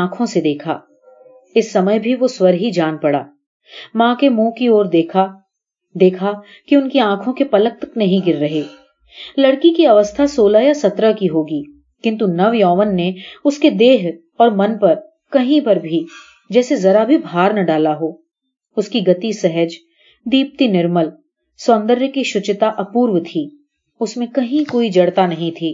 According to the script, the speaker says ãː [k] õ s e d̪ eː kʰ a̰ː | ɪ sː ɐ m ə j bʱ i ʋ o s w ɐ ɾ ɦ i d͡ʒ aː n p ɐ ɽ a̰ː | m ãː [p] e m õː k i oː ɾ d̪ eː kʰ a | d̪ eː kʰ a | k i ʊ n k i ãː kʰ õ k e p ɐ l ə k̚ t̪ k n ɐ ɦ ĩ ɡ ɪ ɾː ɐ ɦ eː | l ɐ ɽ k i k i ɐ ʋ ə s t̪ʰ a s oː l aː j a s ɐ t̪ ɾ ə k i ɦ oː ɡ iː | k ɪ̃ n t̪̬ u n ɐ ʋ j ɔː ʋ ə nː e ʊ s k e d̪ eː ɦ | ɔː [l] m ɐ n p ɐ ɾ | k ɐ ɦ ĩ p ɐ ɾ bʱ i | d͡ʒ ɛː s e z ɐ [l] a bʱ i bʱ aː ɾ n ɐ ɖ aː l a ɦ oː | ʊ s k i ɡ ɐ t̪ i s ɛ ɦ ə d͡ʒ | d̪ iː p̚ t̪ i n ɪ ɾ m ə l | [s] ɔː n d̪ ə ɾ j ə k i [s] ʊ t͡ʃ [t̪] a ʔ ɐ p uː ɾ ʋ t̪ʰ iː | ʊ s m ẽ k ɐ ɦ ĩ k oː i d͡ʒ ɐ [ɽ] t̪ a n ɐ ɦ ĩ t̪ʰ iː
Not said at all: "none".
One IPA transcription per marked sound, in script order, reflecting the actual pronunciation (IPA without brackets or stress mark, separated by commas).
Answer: kʰ, k, ɾ, ɾ, s, ʃ, t̪, ɽ